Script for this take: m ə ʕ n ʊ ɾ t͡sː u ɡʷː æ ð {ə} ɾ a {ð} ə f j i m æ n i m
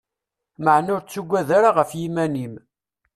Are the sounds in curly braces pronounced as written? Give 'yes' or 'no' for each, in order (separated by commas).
no, no